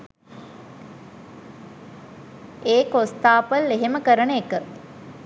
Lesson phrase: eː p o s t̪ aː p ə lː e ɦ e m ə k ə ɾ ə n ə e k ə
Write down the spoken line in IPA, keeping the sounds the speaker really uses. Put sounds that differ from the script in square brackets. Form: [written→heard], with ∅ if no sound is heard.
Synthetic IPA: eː [p→k] o s t̪ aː p ə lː e ɦ e m ə k ə ɾ ə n ə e k ə

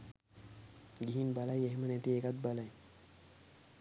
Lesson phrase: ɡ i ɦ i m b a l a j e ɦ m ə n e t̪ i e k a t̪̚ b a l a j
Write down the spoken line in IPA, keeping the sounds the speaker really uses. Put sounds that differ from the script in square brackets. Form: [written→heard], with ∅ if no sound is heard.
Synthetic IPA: ɡ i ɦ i [m→n] b a l a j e ɦ m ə n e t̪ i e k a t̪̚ b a l a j

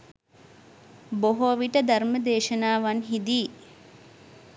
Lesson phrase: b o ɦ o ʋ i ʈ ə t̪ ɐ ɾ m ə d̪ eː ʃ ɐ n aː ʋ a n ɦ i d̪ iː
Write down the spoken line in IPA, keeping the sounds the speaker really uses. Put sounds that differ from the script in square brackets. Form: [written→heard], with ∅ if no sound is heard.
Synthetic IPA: b o ɦ o ʋ i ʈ ə [t̪→d̪] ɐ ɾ m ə d̪ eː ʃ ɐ n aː ʋ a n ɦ i d̪ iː

